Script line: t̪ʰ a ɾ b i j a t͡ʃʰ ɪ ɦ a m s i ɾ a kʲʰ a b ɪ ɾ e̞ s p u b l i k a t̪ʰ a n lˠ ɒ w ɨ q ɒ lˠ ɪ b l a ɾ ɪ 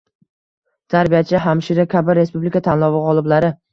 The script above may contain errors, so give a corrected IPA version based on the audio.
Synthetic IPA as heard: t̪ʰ a ɾ b i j a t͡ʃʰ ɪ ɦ a m ʃ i ɾ a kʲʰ a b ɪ ɾ e̞ s p u b l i k a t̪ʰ a n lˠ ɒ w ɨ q ɒ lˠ ɪ b l a ɾ ɪ